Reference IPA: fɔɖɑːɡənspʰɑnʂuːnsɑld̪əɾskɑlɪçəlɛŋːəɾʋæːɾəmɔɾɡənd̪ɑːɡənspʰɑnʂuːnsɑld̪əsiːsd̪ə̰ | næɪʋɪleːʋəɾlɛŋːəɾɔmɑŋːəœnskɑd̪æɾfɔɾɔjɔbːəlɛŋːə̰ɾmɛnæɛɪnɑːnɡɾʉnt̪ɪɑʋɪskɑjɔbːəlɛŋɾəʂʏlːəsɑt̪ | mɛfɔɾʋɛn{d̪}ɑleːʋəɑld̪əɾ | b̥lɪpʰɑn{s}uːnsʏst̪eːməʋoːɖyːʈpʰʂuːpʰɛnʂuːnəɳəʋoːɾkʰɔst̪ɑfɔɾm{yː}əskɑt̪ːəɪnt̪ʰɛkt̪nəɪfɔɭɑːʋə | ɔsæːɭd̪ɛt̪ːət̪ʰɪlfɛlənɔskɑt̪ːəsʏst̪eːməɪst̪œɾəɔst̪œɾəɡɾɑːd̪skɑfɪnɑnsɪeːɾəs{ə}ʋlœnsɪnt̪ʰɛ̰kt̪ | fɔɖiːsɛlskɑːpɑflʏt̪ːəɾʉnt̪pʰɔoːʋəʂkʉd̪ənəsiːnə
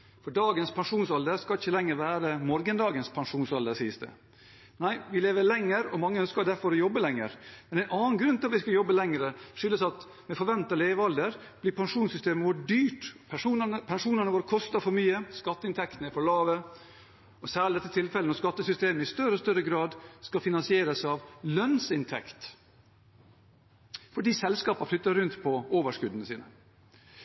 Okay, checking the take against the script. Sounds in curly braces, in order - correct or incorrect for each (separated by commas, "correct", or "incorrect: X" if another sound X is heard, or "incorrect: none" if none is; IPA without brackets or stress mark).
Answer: incorrect: t̪, incorrect: ʂ, correct, incorrect: ɑ